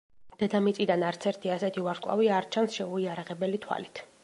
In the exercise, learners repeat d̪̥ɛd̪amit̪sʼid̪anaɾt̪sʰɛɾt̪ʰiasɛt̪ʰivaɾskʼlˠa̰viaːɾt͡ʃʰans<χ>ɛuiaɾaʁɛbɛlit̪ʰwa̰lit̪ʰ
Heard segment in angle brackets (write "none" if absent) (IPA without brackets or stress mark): ʃ